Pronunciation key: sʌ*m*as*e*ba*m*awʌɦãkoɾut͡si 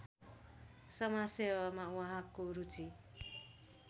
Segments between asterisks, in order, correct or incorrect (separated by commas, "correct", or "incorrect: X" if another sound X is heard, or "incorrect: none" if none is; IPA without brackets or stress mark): correct, correct, correct